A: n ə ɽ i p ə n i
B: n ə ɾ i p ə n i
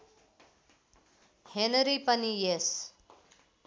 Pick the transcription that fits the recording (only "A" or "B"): B